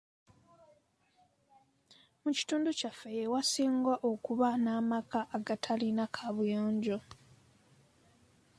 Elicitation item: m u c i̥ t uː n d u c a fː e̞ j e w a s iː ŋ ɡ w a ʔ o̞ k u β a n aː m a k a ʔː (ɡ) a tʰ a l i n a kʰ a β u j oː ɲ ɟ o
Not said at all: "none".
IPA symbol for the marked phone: ɡ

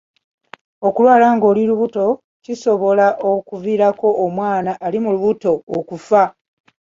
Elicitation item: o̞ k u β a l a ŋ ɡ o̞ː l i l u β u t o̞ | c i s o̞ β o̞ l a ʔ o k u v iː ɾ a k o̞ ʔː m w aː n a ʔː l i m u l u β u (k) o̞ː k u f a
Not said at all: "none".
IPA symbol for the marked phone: t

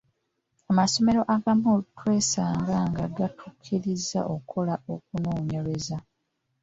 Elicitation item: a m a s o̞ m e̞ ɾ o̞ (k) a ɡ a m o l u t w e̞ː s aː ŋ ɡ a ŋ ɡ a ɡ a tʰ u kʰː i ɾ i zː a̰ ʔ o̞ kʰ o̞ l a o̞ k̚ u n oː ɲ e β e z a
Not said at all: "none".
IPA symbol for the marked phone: ʔ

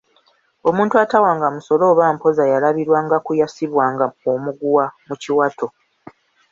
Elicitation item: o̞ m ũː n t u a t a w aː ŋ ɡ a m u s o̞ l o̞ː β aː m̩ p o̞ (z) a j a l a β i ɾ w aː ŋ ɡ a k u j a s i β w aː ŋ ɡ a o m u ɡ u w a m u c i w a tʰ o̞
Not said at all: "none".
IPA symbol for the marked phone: z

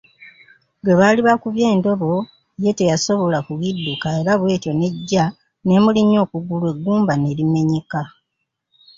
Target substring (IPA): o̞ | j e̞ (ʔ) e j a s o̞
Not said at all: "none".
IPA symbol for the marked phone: t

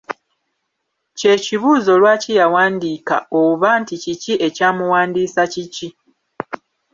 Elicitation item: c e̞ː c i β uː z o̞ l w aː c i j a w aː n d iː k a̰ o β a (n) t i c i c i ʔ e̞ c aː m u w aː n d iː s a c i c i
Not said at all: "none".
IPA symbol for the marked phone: n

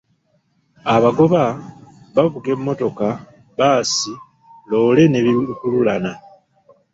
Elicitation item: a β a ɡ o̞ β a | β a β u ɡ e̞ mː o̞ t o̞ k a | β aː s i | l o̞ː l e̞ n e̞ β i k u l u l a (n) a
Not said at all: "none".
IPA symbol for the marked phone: n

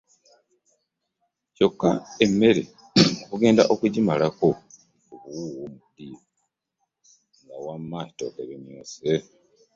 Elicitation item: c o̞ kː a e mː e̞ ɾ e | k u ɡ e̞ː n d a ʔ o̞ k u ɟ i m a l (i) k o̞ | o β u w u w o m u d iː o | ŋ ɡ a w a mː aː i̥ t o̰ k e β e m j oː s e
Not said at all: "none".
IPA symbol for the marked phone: a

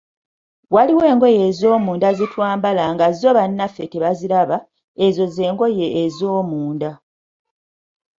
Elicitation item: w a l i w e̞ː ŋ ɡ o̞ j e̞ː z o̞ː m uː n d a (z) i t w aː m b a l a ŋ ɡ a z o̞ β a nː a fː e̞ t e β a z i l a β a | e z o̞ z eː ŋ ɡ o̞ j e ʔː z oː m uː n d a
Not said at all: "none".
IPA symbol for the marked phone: z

